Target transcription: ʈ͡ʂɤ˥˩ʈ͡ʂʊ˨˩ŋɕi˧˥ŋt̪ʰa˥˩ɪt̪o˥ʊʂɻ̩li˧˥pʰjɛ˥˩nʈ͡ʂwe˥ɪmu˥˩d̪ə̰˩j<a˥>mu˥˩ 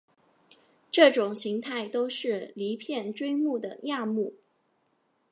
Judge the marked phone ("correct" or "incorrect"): incorrect